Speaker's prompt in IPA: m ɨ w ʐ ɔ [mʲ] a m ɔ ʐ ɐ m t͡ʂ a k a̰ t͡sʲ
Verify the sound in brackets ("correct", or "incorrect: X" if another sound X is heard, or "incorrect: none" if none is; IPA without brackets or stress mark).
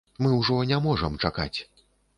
incorrect: nʲ